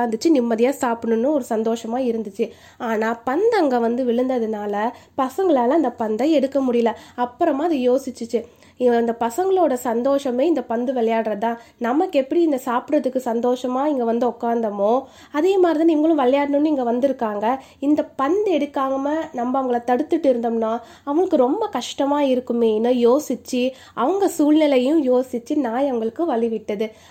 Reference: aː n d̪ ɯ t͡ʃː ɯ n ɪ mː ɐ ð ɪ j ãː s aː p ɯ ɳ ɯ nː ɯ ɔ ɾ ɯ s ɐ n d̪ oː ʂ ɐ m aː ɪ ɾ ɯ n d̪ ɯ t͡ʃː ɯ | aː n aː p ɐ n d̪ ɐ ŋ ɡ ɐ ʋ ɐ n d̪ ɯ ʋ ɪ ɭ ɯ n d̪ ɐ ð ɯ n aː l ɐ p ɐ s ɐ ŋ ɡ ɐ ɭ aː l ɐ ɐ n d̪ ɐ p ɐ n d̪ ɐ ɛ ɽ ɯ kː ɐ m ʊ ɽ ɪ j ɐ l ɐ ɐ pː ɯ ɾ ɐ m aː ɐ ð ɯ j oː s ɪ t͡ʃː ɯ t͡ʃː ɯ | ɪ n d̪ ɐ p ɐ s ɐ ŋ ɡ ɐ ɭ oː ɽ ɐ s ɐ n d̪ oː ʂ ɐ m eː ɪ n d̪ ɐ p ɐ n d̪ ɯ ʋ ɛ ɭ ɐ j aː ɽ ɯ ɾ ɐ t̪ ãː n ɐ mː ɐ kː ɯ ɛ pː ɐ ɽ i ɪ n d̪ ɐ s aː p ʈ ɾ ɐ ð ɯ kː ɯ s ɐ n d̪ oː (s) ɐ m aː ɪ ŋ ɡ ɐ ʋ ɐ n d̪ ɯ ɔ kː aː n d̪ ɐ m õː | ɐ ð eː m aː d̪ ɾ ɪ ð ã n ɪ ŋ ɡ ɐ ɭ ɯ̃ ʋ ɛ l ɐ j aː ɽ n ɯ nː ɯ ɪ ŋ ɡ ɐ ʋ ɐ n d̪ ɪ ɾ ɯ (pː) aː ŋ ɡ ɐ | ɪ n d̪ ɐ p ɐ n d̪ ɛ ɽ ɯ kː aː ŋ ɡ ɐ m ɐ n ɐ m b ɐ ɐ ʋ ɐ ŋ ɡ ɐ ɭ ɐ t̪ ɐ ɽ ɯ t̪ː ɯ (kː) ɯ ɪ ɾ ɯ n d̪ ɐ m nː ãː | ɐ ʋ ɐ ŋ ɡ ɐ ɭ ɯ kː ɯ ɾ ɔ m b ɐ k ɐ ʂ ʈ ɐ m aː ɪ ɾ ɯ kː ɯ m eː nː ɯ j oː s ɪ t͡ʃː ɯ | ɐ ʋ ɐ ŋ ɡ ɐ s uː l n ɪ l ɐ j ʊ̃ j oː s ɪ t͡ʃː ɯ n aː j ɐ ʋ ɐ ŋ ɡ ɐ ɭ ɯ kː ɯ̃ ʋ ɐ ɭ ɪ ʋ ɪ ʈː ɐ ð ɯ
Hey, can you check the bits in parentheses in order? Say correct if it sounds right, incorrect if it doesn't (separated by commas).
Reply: incorrect, incorrect, incorrect